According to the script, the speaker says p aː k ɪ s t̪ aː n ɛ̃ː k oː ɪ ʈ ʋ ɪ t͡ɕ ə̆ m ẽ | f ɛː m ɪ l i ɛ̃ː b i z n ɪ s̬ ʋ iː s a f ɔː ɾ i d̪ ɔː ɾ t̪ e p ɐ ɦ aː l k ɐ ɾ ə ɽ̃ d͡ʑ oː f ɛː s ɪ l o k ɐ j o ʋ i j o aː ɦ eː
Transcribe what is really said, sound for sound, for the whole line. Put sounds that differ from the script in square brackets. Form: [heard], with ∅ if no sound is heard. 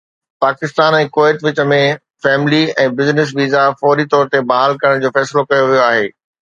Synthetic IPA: p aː k ɪ s t̪ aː n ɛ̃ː k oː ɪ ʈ ʋ ɪ t͡ɕ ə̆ m ẽ | f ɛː m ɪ l i ɛ̃ː b [ɪ] z n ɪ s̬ ʋ iː [z] a f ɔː ɾ i [t̪] ɔː ɾ t̪ e [b] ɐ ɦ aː l k ɐ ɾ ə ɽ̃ d͡ʑ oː f ɛː s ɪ l o k ɐ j o ʋ i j o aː ɦ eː